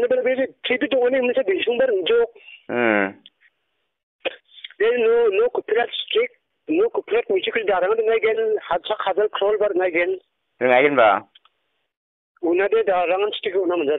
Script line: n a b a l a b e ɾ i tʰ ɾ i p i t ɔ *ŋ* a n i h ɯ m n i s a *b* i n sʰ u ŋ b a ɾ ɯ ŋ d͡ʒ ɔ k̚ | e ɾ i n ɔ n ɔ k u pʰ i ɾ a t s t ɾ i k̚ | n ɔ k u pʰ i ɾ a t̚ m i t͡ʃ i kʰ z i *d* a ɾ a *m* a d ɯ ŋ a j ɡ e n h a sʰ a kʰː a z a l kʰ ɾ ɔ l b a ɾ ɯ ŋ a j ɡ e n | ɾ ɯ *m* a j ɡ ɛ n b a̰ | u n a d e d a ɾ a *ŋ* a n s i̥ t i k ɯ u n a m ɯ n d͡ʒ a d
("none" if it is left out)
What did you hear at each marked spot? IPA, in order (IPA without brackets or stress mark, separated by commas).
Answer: ŋ, b, d, ŋ, ŋ, ŋ